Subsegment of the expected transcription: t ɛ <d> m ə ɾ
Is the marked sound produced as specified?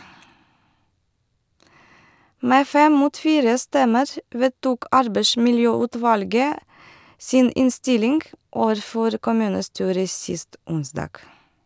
no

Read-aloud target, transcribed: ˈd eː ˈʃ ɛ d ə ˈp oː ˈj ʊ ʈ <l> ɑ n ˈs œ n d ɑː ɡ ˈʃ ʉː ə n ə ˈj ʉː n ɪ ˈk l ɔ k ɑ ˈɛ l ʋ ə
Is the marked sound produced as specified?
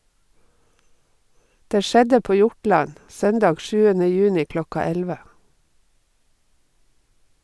no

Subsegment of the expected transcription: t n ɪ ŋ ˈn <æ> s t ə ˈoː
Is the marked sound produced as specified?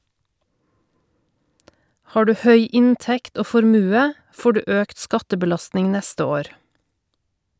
no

